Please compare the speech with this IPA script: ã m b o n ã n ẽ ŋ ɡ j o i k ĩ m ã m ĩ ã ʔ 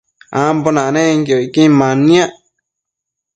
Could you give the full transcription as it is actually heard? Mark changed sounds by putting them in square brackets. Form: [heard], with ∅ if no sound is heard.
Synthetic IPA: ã m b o n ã n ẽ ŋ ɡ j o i k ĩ m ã [n] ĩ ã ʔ